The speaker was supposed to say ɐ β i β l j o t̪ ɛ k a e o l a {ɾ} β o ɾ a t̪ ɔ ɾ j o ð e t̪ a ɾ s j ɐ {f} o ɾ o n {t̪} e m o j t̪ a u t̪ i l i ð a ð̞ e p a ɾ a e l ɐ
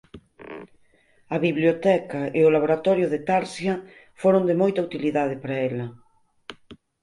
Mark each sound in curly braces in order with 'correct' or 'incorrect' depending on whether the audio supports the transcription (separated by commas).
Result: incorrect, correct, incorrect